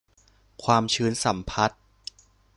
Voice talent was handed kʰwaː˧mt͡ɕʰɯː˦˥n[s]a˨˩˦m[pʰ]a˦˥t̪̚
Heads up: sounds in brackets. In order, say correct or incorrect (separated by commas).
correct, correct